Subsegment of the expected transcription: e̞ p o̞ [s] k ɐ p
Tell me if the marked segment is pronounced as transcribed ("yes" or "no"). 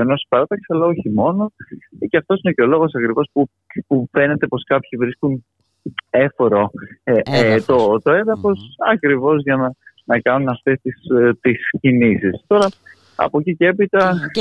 yes